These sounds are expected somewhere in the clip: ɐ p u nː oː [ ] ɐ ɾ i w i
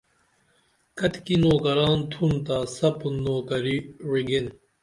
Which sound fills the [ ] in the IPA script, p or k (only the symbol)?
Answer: k